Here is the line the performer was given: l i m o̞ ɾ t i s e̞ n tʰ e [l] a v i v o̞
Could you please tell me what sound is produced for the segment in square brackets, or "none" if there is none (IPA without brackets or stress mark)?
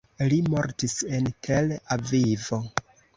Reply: l